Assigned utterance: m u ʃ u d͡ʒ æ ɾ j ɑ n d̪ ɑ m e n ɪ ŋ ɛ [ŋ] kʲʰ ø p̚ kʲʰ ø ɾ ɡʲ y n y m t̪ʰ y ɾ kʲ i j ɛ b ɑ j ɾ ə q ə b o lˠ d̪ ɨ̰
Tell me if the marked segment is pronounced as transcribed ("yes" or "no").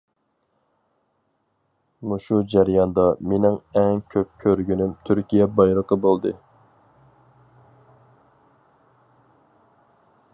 yes